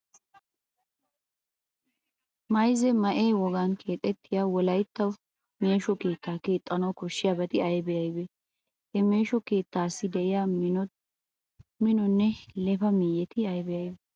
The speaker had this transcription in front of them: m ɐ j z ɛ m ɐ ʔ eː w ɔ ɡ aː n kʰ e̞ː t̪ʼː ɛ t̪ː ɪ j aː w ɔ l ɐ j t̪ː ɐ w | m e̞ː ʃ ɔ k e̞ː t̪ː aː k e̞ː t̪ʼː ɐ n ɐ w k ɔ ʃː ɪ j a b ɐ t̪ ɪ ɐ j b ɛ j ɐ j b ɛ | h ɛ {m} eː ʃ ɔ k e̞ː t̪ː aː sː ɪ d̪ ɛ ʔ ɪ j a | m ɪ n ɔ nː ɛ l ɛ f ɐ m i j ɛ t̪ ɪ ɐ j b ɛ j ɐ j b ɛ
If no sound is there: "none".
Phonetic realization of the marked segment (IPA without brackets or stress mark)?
m